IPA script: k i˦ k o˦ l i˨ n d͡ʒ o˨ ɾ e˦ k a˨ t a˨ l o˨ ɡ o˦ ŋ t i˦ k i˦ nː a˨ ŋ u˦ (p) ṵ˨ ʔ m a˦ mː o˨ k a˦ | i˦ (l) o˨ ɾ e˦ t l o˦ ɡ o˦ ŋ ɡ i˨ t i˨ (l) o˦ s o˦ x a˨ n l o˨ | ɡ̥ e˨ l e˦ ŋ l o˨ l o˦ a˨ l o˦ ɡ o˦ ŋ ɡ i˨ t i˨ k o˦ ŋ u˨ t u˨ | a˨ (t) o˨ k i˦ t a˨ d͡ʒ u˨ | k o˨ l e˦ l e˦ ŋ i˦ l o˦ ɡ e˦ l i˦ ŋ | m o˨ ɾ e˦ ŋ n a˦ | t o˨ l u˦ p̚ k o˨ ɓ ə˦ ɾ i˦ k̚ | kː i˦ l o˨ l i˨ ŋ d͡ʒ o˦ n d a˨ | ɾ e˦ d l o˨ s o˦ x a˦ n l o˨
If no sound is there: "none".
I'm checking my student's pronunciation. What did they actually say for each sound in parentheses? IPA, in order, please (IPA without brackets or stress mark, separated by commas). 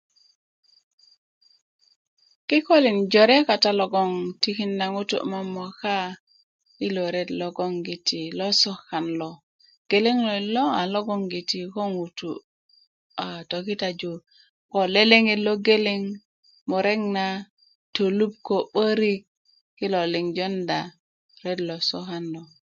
t, l, l, t